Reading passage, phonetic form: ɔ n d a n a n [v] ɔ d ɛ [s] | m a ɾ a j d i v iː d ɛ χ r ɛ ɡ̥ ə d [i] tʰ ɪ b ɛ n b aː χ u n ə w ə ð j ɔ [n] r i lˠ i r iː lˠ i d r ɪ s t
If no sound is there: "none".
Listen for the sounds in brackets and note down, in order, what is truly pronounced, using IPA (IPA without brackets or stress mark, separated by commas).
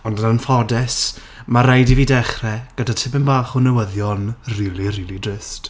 f, s, a, n